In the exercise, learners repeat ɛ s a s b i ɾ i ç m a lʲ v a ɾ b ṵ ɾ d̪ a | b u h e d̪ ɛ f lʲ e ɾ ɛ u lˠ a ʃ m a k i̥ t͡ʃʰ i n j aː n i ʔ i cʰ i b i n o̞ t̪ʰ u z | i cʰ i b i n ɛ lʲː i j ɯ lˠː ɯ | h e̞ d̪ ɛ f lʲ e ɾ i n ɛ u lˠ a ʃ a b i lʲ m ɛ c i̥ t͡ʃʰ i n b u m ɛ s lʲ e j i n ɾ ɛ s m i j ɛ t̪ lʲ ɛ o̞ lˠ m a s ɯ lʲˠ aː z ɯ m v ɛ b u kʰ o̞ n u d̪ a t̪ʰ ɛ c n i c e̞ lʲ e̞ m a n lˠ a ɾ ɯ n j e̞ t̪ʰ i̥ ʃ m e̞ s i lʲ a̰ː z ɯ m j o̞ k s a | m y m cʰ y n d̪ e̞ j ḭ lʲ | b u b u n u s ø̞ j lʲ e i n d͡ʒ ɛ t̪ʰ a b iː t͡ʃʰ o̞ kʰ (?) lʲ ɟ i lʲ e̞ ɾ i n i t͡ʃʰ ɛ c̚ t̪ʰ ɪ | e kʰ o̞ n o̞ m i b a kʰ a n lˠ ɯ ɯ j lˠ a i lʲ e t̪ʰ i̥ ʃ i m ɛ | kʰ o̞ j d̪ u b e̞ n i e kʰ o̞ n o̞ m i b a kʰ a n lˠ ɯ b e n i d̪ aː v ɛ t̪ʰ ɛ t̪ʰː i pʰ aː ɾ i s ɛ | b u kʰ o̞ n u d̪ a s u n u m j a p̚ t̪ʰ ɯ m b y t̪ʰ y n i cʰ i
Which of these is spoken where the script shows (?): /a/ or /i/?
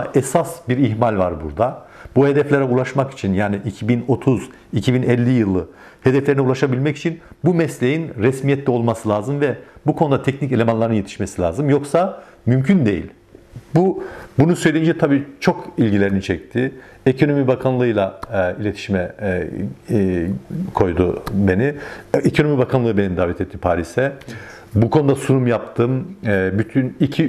i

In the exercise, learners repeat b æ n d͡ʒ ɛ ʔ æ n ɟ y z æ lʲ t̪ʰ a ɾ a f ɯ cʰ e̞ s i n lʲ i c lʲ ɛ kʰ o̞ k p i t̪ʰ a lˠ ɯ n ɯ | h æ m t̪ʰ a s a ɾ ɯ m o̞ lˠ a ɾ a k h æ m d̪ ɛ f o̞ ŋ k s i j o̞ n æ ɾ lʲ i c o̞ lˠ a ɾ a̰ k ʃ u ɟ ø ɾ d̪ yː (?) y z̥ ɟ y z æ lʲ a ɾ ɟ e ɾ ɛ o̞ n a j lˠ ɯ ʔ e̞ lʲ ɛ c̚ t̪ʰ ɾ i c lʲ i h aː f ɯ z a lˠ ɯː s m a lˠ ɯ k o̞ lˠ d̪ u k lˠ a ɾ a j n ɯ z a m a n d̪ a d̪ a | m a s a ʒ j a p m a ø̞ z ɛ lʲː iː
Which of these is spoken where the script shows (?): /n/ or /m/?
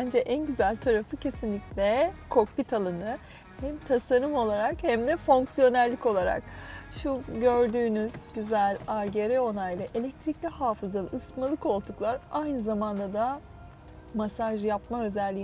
n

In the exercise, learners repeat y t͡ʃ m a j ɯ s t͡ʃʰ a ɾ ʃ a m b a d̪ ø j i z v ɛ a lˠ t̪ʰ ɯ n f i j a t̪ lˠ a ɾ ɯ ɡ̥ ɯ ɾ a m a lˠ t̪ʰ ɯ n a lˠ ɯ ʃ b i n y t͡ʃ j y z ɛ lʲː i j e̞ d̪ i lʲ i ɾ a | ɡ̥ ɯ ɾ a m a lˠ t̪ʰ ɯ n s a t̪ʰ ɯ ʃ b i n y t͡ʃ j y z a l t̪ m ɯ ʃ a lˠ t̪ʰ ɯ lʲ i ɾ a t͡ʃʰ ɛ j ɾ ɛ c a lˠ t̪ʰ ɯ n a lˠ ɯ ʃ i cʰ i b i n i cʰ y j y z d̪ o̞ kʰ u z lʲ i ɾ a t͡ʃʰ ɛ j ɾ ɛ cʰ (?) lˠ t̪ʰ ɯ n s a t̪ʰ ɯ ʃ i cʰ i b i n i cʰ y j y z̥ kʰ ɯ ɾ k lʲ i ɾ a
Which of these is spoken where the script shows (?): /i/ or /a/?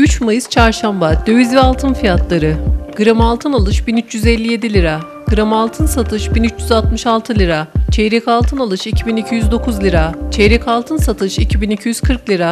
a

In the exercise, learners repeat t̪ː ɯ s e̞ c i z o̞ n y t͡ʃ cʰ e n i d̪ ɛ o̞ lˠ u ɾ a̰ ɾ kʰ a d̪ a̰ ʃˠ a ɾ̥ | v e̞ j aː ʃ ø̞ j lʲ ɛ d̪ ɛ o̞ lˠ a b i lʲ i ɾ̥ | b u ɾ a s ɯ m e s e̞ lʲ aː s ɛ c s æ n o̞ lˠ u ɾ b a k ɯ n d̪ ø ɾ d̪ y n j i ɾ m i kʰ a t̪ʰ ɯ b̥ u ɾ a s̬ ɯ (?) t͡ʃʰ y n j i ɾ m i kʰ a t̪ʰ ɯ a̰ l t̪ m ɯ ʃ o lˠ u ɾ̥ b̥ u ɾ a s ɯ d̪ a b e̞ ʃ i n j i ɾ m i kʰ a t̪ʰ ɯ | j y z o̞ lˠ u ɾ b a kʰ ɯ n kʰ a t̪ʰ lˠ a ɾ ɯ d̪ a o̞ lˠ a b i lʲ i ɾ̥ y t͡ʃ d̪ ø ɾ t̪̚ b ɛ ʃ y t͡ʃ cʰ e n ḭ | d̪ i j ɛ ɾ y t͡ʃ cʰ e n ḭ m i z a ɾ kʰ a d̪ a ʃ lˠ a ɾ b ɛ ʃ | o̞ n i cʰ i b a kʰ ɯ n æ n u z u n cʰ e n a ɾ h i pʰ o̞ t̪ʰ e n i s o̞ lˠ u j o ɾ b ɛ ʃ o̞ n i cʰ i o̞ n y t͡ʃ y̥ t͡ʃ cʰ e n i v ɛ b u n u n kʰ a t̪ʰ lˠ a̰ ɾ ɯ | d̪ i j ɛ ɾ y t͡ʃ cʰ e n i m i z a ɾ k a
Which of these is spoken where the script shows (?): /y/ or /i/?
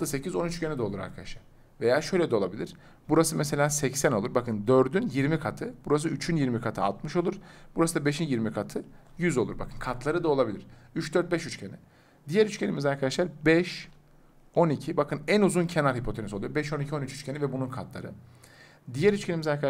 y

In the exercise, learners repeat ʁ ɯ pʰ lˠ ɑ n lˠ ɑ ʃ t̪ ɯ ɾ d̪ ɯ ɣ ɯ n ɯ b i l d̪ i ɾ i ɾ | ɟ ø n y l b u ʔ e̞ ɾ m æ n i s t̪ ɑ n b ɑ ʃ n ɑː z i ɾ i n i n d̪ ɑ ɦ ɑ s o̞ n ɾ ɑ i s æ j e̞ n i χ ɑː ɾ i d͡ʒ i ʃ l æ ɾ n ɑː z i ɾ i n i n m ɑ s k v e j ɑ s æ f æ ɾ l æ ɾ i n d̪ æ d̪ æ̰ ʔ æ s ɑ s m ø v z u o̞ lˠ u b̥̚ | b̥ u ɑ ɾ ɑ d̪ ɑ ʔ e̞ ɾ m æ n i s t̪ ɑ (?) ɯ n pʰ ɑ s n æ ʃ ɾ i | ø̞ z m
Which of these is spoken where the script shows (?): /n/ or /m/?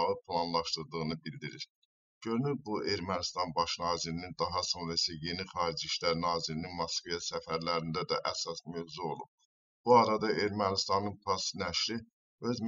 n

